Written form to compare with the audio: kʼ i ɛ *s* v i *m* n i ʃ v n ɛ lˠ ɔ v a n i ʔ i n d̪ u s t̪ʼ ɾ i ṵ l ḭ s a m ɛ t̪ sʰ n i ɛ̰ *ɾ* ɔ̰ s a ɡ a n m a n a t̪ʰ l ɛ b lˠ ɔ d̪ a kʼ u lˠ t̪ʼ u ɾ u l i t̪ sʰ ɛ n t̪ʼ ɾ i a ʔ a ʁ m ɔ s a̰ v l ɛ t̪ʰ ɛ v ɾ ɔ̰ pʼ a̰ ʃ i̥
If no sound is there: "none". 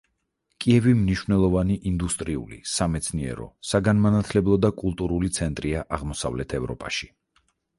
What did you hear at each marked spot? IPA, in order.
none, m, ɾ

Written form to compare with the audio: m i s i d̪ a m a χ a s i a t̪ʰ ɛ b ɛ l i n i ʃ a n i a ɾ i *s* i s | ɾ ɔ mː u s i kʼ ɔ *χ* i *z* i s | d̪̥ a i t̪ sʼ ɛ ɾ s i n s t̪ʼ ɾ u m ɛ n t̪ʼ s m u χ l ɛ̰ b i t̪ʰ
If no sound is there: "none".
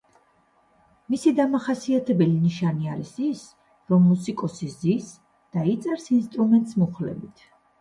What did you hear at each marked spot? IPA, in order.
s, s, z

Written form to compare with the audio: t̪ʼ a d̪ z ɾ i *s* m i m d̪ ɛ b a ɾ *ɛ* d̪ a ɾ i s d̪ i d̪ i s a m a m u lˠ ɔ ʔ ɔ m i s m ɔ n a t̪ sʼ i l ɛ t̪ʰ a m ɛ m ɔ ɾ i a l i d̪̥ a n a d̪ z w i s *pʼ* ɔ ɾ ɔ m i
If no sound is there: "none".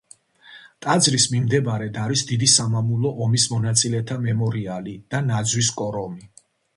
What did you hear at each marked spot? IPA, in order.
s, ɛ, kʼ

